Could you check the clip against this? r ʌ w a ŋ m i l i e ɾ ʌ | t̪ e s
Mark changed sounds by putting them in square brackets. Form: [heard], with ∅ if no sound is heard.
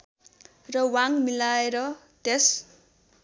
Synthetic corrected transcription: r ʌ w a ŋ m i l [a] e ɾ ʌ | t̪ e s

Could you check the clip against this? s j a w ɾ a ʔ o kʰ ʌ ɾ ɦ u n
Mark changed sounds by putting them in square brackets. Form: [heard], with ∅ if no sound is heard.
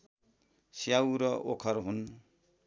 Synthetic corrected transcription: s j a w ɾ [ʌ] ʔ o kʰ ʌ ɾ ɦ u n

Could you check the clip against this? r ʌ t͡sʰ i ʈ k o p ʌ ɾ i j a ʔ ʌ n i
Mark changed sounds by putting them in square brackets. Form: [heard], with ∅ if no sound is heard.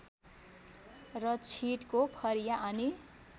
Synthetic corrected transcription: r ʌ t͡sʰ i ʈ k o [pʰ] ʌ ɾ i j a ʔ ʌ n i

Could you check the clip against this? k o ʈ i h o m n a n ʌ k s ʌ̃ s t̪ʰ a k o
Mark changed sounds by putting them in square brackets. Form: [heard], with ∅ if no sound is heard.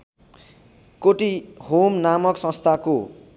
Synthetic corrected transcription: k o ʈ i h o m n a [m] ʌ k s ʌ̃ s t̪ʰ a k o

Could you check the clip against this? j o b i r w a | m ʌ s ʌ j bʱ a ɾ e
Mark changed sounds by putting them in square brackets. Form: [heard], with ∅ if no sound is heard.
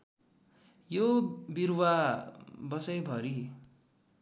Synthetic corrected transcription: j o b i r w a | [b] ʌ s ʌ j bʱ [ʌ] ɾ [i]

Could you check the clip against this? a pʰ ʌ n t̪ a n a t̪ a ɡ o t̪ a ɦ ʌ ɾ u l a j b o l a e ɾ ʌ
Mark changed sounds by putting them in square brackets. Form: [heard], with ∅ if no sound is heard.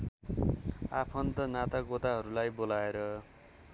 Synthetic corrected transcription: a pʰ ʌ n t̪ [ʌ] n a t̪ a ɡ o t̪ a ɦ ʌ ɾ u l a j b o l a e ɾ ʌ

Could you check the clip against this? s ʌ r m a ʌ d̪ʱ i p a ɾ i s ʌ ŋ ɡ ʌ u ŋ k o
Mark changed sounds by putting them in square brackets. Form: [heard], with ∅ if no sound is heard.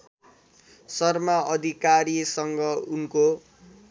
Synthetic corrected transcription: s ʌ r m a ʌ d̪ʱ i [k] a ɾ i s ʌ ŋ ɡ ʌ u [n] k o

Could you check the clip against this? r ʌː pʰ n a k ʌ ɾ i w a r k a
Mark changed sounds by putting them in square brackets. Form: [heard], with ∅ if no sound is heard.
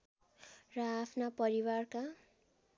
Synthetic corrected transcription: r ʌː pʰ n a [p] ʌ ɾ i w a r k a

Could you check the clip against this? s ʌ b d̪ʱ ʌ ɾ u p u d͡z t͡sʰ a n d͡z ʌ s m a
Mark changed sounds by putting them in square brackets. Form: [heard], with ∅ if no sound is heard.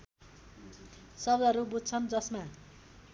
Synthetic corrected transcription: s ʌ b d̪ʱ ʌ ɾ u [b] u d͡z t͡sʰ [ʌ] n d͡z ʌ s m a

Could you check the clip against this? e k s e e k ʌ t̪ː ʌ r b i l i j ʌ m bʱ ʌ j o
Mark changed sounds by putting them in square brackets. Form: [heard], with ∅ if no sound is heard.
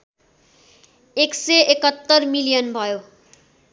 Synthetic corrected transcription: e k s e e k ʌ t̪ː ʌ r [m] i l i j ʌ [n] bʱ ʌ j o

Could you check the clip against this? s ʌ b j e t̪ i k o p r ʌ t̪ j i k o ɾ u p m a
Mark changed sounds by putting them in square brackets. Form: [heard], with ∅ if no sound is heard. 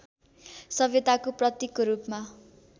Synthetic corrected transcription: s ʌ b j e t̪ [a] k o p r ʌ t̪ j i k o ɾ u p m a

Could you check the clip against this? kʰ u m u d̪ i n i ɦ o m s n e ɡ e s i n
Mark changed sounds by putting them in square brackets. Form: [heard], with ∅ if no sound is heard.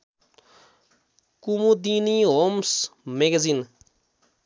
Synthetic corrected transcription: [k] u m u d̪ i n i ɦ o m s [m] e ɡ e [z] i n

